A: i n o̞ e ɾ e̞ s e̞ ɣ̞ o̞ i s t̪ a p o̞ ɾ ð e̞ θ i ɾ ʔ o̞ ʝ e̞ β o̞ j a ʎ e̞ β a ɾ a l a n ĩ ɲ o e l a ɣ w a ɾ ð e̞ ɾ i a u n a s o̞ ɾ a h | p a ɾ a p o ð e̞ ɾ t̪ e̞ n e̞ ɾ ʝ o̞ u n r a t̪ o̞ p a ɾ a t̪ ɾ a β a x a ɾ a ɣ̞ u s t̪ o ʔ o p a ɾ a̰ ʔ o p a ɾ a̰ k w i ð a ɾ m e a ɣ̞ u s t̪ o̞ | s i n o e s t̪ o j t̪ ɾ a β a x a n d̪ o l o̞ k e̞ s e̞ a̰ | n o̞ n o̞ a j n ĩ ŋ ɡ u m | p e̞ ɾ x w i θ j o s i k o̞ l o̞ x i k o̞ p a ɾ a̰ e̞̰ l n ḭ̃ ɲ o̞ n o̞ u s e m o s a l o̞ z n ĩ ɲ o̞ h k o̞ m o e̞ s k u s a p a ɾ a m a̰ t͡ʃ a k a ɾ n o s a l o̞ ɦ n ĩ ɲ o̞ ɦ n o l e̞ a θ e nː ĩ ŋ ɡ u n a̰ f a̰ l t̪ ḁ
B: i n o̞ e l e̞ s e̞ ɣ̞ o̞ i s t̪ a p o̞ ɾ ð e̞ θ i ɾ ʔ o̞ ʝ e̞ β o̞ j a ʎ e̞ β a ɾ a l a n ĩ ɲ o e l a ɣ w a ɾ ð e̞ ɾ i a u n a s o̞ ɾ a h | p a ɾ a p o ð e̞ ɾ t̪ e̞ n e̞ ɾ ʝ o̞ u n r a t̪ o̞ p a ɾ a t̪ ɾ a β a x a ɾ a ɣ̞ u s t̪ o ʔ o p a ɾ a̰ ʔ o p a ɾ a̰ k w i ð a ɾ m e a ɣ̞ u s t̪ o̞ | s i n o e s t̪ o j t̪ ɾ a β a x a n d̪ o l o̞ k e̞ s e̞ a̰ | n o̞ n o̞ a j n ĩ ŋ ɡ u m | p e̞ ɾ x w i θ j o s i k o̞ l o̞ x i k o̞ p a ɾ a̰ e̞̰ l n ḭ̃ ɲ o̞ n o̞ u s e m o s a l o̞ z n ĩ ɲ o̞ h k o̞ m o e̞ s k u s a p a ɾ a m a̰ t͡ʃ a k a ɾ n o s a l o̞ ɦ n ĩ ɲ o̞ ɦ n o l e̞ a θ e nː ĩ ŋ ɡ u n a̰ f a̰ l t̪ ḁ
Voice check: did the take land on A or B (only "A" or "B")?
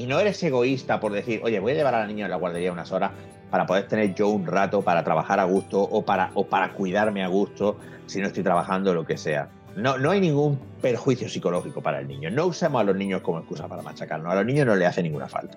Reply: A